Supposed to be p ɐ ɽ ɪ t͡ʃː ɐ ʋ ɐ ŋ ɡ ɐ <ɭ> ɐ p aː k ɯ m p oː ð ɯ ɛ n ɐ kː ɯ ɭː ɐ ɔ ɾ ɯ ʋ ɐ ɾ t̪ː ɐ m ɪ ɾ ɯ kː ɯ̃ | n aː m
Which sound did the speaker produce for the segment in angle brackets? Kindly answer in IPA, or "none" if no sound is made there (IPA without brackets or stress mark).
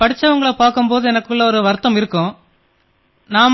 ɭ